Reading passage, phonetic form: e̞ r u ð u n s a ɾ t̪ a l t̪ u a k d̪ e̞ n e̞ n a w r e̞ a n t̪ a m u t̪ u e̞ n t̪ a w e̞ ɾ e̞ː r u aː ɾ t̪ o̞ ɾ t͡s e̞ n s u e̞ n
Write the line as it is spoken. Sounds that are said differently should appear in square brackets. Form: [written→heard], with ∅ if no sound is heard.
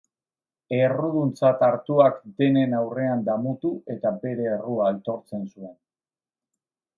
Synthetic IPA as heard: e̞ r u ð u n [s→t͡s] a [ɾ→∅] t̪ a [l→ɾ] t̪ u a k d̪ e̞ n e̞ n a w r e̞ a n [t̪→d̪] a m u t̪ u e̞ [n→∅] t̪ a [w→b] e̞ ɾ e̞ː r u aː [ɾ→l] t̪ o̞ ɾ t͡s e̞ n s u e̞ n